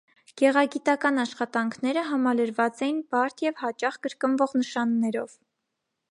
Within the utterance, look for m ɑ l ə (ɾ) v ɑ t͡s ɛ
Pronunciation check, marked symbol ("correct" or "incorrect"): correct